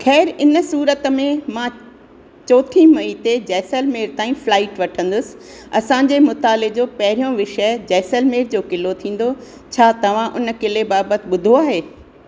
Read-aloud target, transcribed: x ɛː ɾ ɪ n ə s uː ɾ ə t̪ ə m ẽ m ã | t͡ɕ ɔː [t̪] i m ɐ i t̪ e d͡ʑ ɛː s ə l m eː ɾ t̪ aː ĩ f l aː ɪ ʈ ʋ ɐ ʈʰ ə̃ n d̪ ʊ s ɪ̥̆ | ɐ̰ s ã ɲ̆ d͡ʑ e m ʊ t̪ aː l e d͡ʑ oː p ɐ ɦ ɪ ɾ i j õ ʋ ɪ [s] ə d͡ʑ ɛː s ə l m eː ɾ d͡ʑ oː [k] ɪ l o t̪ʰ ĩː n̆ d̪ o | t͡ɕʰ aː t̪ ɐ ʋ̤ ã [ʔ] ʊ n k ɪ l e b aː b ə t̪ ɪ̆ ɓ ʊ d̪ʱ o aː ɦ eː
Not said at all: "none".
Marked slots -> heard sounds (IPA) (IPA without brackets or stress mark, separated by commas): t̪ʰ, ʃ, k, ʔ